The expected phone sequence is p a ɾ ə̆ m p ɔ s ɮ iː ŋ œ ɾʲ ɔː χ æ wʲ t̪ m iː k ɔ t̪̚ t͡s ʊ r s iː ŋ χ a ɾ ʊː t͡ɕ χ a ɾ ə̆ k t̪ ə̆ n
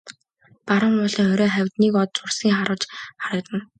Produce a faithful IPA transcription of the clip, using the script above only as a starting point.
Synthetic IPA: p a ɾ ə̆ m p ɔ ɮ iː ŋ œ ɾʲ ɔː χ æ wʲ t̪ n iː k ɔ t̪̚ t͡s ʊ r s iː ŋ χ a ɾ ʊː t͡ɕ χ a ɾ ə̆ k t̪ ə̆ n